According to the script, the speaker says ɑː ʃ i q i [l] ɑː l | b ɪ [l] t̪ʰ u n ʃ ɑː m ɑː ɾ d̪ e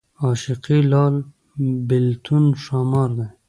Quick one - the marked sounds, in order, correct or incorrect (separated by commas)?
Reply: correct, correct